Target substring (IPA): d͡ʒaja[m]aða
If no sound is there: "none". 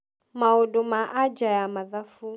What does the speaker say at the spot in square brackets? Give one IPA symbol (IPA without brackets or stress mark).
m